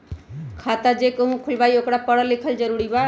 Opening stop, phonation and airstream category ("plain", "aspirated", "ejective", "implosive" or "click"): aspirated